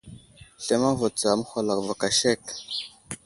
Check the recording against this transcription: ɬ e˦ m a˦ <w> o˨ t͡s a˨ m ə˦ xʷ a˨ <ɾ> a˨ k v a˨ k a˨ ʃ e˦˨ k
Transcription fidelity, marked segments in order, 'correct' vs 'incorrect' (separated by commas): incorrect, incorrect